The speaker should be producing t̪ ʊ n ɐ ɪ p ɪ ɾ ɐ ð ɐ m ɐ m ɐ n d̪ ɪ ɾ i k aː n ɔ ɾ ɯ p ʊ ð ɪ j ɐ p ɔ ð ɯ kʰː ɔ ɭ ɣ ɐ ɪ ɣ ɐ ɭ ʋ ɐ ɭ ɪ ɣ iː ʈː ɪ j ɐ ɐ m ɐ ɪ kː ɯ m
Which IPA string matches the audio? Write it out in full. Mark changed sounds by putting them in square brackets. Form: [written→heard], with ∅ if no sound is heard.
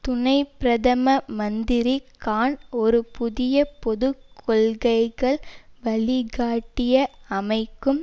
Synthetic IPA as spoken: t̪ ʊ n ɐ ɪ p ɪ ɾ ɐ ð ɐ m ɐ m ɐ n d̪ ɪ ɾ i k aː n ɔ ɾ ɯ p ʊ ð ɪ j ɐ p ɔ ð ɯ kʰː ɔ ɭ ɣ ɐ ɪ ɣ ɐ ɭ ʋ ɐ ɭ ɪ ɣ [iː→aː] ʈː ɪ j ɐ ɐ m ɐ ɪ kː ɯ m

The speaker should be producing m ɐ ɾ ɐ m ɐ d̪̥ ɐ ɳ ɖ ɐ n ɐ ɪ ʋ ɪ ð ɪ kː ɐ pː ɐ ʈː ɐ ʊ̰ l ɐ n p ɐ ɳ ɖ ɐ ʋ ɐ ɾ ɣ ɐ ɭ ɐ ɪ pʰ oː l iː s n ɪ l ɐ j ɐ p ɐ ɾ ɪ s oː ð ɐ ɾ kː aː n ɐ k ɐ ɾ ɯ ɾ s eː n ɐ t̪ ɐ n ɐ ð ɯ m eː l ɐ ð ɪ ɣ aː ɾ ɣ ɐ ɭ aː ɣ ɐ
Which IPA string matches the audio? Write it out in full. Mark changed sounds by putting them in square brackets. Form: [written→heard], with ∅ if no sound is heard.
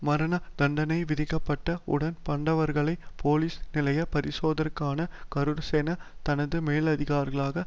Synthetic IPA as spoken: m ɐ ɾ ɐ [m→n] ɐ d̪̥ ɐ ɳ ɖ ɐ n ɐ ɪ ʋ ɪ ð ɪ kː ɐ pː ɐ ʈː ɐ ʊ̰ [l→ɽ] ɐ n p ɐ ɳ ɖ ɐ ʋ ɐ ɾ ɣ ɐ ɭ ɐ ɪ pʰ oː l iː s n ɪ l ɐ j ɐ p ɐ ɾ ɪ s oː ð ɐ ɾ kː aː n ɐ k ɐ ɾ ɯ ɾ s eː n ɐ t̪ ɐ n ɐ ð ɯ m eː l ɐ ð ɪ ɣ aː ɾ ɣ ɐ ɭ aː ɣ ɐ

